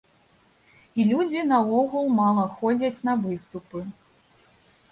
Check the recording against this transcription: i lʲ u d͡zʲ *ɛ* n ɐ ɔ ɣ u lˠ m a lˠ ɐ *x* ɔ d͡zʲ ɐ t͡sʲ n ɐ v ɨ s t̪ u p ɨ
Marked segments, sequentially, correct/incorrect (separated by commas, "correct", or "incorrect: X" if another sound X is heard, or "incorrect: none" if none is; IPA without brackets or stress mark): incorrect: i, correct